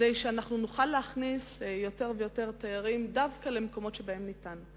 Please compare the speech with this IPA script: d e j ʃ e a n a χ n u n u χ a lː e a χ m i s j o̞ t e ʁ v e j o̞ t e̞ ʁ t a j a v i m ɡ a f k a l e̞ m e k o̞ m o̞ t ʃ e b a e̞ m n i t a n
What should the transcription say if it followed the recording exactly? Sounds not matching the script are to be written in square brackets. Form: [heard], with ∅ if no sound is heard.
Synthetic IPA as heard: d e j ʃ e a n a χ n u n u χ a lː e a χ [n] i s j o̞ t e ʁ v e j o̞ t e̞ ʁ t a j a [ʁ] i m [d] a [v] k a l e̞ m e k o̞ m o̞ t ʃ e b a e̞ m n i t a n